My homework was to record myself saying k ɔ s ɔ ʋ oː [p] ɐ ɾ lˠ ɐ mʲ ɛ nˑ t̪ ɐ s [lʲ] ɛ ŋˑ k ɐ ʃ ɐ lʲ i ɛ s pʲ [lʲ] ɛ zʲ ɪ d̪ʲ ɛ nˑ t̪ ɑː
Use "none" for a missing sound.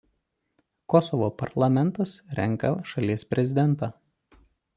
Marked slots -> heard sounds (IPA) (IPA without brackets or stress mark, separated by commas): p, ɾʲ, ɾʲ